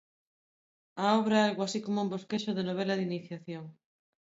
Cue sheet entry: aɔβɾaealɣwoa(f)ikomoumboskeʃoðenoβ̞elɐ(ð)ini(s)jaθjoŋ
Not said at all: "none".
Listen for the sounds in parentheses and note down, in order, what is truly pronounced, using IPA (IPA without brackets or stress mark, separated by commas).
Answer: s, ð, θ